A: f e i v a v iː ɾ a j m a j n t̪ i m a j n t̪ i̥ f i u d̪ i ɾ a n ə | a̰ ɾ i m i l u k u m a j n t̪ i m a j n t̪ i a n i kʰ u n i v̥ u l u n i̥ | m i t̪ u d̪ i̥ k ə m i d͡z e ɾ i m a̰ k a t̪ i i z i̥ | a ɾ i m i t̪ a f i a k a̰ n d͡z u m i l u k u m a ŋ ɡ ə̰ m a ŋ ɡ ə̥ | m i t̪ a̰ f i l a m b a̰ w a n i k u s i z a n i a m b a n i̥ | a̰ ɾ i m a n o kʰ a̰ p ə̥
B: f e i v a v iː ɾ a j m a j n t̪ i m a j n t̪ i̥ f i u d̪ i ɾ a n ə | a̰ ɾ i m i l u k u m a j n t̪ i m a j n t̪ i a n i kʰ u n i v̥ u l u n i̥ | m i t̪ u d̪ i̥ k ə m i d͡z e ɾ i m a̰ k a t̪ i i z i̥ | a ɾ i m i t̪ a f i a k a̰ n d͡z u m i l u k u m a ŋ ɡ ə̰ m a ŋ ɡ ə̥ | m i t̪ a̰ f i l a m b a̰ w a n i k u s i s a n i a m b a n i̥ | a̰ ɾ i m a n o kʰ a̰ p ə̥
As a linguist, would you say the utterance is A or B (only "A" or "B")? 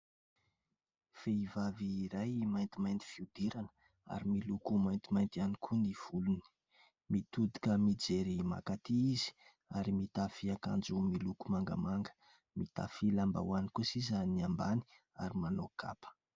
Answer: A